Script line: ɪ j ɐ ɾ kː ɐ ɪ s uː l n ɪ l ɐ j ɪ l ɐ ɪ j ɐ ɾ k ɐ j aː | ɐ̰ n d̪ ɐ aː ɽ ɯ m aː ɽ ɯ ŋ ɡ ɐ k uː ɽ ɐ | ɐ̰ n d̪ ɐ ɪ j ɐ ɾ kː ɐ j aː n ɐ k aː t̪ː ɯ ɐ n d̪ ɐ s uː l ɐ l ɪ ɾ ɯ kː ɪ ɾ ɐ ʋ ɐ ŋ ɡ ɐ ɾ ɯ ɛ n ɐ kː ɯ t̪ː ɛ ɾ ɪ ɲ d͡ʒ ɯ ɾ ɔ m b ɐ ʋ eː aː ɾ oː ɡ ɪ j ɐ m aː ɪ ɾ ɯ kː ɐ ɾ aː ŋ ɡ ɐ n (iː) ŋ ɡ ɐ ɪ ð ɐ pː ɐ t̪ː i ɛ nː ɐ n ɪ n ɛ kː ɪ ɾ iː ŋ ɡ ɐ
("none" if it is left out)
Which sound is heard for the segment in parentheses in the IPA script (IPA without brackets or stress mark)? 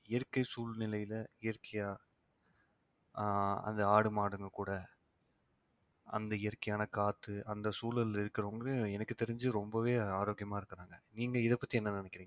iː